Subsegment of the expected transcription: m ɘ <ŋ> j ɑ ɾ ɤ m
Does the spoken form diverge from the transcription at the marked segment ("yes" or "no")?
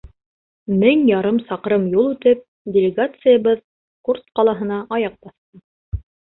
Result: no